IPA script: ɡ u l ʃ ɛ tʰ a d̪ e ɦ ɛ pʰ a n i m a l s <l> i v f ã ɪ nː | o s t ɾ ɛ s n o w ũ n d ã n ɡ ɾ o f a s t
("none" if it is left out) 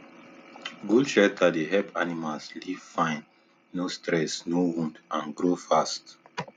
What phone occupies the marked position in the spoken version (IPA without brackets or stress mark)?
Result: l